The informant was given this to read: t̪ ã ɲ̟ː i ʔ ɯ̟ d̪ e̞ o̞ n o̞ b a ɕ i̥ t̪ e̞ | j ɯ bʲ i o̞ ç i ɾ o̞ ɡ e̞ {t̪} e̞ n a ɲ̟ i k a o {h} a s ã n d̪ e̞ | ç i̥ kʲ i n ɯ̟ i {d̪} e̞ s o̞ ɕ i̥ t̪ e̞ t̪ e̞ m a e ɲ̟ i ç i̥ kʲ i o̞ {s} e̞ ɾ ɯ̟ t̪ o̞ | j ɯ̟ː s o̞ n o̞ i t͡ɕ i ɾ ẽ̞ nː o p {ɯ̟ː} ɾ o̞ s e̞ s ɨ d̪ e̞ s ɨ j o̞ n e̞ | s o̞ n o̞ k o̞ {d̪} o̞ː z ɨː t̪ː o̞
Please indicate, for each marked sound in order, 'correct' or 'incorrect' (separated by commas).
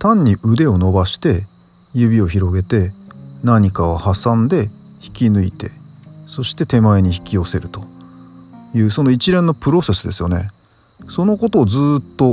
correct, correct, incorrect, correct, incorrect, incorrect